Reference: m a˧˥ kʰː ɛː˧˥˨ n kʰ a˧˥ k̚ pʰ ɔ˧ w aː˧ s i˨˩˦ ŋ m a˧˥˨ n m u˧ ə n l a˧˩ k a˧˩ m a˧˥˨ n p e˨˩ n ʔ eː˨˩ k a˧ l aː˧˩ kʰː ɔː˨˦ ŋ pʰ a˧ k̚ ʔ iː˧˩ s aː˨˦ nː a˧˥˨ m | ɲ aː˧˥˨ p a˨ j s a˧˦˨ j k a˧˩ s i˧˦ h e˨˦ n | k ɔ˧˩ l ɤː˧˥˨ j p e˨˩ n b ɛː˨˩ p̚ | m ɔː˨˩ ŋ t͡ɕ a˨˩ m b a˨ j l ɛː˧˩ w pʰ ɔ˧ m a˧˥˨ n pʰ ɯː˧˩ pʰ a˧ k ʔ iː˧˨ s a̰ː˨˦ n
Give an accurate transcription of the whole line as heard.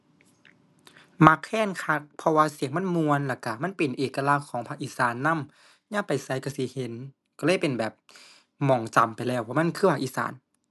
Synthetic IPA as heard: m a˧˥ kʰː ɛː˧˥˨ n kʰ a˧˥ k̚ pʰ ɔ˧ w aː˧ s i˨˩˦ ŋ m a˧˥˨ n m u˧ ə n l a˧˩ k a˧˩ m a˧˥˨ n p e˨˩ n ʔ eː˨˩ k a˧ l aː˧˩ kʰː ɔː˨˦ ŋ pʰ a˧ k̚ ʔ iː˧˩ s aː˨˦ nː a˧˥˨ m | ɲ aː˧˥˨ p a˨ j s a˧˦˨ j k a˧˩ s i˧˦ h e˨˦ n | k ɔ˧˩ l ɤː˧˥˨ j p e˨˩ n b ɛː˨˩ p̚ | m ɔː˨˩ ŋ t͡ɕ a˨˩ m p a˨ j l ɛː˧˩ w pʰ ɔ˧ m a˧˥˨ n kʰ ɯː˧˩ pʰ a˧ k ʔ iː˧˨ s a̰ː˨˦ n